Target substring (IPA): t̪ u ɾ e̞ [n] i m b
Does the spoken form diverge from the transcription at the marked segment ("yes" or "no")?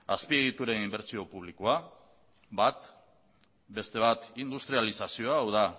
no